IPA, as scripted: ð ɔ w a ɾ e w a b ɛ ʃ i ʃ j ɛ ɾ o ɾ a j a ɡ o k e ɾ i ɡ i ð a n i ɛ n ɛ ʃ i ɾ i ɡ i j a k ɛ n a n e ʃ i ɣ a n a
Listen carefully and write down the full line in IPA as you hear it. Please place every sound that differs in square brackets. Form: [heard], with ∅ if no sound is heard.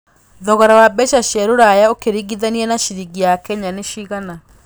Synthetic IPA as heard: ð ɔ [ɣ] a ɾ [a] w a b ɛ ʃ [a] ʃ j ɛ ɾ o ɾ a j a [∅] o k e ɾ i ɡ i ð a n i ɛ n [a] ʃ i ɾ i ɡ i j a k ɛ [ɲ] a n e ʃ i ɣ a n a